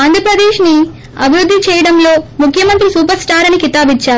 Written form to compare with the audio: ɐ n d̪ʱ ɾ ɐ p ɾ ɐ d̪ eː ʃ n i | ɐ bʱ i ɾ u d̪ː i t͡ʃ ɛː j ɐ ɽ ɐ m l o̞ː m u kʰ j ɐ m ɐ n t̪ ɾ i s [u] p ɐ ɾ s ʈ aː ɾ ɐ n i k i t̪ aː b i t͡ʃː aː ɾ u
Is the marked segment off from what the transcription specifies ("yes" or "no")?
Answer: yes